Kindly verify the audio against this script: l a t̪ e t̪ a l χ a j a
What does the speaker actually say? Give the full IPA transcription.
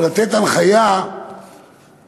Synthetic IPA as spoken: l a t̪ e t̪ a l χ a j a